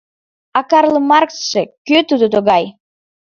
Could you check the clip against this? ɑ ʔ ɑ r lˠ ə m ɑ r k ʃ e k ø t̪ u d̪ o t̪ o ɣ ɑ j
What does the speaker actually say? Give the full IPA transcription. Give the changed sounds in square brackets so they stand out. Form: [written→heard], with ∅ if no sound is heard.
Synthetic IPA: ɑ [ʔ→k] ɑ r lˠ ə m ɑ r k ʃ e k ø t̪ u d̪ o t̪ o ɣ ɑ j